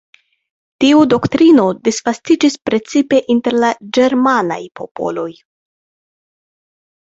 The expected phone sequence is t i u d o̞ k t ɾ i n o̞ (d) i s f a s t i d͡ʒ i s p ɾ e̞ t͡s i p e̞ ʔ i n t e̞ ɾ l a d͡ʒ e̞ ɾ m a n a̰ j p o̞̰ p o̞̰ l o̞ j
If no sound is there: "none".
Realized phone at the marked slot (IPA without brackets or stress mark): d